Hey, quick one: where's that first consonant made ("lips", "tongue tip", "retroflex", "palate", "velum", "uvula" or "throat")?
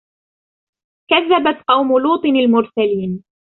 velum